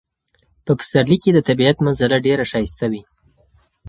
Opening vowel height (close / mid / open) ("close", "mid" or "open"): mid